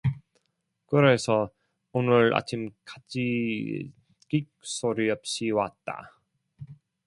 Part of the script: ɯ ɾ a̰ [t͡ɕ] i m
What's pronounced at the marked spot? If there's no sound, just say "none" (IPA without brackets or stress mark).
t͡ɕʰ